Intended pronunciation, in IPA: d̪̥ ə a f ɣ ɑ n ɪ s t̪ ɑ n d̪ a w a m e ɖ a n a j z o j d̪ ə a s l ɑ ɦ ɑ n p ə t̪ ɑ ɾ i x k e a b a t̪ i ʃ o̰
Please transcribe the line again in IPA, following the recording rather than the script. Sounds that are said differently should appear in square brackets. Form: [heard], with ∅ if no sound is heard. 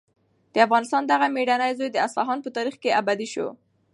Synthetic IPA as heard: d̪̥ ə a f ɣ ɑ n ɪ s t̪ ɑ n d̪ a [ɣ] a m e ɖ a n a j z o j d̪ ə a s l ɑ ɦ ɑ n p ə t̪ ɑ ɾ i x k e a b a [d̪] i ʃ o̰